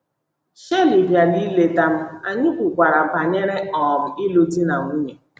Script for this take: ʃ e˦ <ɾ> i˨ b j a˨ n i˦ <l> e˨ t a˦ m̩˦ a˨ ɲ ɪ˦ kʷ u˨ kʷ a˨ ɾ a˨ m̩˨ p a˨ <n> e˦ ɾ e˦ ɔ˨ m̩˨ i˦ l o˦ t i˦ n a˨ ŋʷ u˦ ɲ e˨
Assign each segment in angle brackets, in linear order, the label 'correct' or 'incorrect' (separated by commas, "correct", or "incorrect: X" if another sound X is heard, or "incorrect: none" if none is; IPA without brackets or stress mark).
incorrect: l, correct, incorrect: ɲ